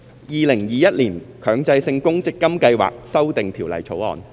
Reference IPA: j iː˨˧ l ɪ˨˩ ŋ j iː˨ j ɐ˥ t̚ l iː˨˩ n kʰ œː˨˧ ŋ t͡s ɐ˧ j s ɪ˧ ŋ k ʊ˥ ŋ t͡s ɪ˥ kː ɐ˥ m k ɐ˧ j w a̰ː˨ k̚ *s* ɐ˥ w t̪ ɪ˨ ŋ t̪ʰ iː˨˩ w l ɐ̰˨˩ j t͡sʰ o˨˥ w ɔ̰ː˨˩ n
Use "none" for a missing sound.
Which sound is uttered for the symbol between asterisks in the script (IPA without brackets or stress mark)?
s